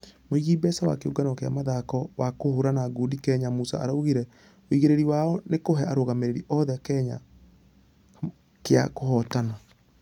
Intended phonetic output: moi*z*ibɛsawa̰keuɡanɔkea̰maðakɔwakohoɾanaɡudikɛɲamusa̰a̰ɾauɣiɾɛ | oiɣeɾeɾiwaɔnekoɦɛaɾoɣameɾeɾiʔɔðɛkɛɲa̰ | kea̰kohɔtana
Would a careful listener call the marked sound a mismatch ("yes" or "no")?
yes